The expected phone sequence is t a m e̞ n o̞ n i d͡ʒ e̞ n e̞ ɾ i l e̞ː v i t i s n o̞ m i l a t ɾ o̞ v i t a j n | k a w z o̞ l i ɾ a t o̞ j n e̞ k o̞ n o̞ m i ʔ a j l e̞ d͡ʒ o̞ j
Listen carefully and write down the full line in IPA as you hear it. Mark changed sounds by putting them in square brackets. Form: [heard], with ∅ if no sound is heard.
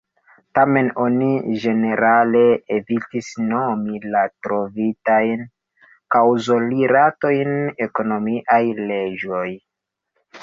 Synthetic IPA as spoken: t a m e̞ n o̞ n i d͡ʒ e̞ n e̞ ɾ [a] l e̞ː v i t i s n o̞ m i l a t ɾ o̞ v i t a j n | k a w z o̞ l i ɾ a t o̞ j n e̞ k o̞ n o̞ m i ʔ a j l e̞ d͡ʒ o̞ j